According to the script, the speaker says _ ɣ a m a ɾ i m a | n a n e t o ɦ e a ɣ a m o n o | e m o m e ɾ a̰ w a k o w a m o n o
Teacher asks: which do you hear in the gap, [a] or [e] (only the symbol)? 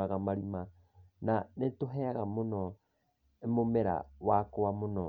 a